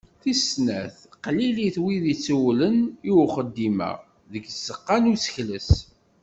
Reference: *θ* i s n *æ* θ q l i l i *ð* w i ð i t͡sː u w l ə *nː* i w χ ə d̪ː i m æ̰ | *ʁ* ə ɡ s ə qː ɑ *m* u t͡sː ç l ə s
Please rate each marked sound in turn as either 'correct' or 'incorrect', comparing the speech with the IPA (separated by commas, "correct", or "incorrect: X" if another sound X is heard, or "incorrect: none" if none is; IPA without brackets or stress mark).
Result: correct, correct, incorrect: θ, incorrect: n, incorrect: ð, incorrect: n